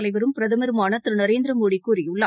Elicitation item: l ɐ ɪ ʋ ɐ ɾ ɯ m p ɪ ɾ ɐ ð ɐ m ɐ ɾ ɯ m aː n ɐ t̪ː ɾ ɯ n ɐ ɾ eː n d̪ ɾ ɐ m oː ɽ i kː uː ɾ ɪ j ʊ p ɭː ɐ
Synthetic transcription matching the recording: l ɐ ɪ ʋ ɐ ɾ ɯ m p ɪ ɾ ɐ ð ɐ m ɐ ɾ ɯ m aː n ɐ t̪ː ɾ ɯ n ɐ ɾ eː n d̪ ɾ ɐ m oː ɽ i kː uː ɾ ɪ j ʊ ɭː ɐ